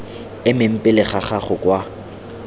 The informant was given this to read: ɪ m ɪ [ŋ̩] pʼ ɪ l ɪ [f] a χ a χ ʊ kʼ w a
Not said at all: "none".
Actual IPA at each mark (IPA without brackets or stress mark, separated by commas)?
m̩, χ